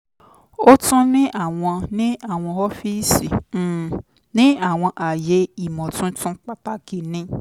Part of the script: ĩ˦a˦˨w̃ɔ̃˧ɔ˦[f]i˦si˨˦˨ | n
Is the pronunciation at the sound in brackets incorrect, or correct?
correct